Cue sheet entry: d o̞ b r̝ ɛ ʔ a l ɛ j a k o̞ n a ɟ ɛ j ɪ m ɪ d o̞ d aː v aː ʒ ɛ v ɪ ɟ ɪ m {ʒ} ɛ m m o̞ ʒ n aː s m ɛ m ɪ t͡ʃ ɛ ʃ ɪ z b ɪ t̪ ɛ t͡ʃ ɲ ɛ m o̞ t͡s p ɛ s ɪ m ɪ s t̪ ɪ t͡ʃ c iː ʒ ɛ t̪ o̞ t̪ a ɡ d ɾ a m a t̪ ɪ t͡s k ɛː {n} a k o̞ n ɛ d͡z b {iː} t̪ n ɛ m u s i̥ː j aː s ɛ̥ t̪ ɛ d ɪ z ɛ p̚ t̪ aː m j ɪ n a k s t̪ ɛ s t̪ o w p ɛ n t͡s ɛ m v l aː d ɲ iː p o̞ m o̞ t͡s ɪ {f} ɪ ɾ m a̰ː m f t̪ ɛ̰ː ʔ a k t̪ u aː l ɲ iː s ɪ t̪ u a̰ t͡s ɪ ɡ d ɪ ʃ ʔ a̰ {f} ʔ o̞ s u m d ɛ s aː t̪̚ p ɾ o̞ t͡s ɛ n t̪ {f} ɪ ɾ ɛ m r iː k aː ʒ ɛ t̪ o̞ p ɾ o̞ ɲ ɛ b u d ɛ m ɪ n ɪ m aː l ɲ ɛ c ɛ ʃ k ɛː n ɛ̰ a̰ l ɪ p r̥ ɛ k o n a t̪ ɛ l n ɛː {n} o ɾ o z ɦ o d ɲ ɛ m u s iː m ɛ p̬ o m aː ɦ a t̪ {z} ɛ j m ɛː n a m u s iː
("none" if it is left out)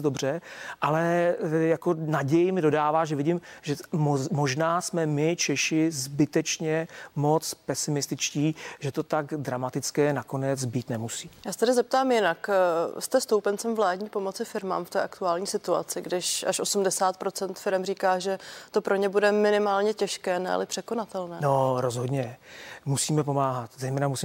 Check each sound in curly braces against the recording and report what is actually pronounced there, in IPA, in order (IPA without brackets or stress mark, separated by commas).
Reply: ʒ, n, iː, f, ʃ, f, n, z